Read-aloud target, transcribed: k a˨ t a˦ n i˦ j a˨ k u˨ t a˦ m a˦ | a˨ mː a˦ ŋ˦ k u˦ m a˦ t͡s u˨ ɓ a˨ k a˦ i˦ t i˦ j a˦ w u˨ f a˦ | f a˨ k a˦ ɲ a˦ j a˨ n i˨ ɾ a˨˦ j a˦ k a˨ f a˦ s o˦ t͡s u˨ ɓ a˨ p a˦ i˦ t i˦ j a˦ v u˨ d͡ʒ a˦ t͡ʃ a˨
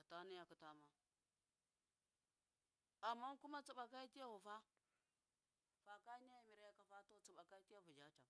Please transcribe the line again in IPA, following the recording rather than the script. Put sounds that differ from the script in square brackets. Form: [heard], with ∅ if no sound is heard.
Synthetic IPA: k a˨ t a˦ n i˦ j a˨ k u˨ t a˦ m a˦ | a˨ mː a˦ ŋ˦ k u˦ m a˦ t͡s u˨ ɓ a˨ k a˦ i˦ t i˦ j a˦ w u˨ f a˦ | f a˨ k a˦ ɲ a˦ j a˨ [m] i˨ ɾ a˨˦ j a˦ k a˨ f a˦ [t] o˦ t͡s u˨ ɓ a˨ [k] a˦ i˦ t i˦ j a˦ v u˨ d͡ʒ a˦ t͡ʃ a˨